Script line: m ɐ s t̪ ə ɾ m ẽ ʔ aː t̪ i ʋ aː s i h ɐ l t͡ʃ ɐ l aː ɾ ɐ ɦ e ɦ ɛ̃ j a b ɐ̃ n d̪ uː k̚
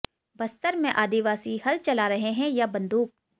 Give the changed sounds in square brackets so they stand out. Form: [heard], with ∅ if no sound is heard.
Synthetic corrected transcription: [b] ɐ s t̪ ə ɾ m ẽ ʔ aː [d̪] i ʋ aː s i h ɐ l t͡ʃ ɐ l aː ɾ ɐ ɦ e ɦ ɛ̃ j a b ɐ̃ n d̪ uː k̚